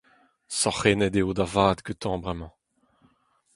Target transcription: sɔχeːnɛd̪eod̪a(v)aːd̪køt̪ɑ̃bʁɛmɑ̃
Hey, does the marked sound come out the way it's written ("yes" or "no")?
yes